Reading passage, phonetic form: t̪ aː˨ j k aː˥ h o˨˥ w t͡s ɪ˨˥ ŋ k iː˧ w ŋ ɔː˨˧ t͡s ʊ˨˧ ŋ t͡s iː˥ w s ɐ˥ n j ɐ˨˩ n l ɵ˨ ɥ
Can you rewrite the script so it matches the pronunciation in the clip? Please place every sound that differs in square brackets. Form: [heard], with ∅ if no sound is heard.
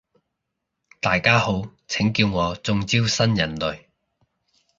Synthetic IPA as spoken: t̪ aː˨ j k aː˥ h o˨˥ w [t͡sʰ] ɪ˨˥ ŋ k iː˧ w ŋ ɔː˨˧ t͡s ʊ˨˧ ŋ t͡s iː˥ w s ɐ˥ n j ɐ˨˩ n l ɵ˨ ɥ